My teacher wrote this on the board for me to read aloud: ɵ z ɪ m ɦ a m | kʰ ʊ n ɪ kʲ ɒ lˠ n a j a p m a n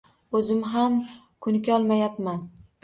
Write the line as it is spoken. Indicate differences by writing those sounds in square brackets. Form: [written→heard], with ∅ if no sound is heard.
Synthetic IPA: ɵ z ɪ m ɦ a m | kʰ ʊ n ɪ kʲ ɒ lˠ [n→m] a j a p m a n